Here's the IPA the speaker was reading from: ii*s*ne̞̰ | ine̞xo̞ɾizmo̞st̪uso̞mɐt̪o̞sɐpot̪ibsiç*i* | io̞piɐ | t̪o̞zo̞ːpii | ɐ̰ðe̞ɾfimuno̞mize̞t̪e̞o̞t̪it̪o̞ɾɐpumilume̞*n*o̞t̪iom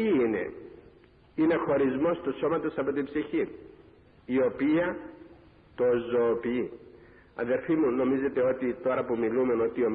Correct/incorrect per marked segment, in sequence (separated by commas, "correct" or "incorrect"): incorrect, correct, correct